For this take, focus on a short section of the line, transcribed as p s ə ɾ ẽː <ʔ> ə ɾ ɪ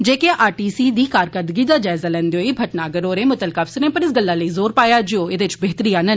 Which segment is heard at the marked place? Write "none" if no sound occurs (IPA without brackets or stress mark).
p